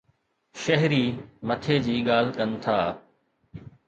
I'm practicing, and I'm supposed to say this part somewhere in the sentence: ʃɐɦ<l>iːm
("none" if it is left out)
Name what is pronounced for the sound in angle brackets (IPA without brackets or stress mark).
ɾ